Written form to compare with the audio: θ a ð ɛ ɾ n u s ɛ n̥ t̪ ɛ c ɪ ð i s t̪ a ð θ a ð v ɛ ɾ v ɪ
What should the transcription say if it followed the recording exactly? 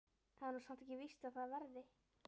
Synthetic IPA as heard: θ a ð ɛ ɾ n u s a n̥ t̪ ɛ c ɪ v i s t̪ a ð θ a ð v ɛ ɾ ð ɪ